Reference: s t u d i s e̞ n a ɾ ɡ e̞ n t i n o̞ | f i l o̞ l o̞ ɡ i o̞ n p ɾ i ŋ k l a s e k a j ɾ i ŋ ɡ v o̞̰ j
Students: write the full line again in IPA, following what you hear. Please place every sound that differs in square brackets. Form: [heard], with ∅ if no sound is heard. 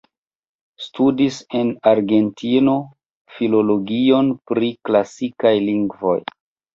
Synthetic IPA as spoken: s t u d i s e̞ n a ɾ ɡ e̞ n t i n o̞ | f i l o̞ l o̞ ɡ i o̞ n p ɾ i [∅] k l a s [i] k a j [l] i ŋ ɡ v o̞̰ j